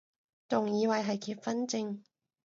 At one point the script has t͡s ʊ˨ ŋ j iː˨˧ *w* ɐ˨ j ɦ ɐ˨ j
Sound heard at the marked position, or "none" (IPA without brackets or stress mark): w